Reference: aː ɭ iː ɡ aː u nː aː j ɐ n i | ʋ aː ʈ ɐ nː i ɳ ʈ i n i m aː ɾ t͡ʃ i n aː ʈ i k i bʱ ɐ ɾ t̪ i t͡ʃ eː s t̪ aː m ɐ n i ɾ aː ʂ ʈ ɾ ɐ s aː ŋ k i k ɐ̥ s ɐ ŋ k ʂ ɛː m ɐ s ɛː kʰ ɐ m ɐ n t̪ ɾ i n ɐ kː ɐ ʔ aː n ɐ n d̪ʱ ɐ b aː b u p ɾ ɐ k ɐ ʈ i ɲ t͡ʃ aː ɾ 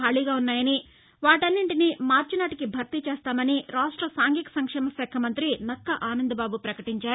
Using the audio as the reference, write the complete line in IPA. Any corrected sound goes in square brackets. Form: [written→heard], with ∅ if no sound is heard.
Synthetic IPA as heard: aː ɭ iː ɡ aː u nː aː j ɐ n i | ʋ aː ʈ ɐ nː i ɳ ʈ i n i m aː ɾ t͡ʃ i n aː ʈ i k i bʱ ɐ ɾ t̪ i t͡ʃ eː s t̪ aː m ɐ n i ɾ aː ʂ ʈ ɾ ɐ s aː ŋ [k→ɡ] i k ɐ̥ s ɐ ŋ k ʂ ɛː m ɐ s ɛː kʰ ɐ m ɐ n t̪ ɾ i n ɐ kː ɐ ʔ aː n ɐ n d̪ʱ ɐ b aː b u p ɾ ɐ k ɐ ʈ i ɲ t͡ʃ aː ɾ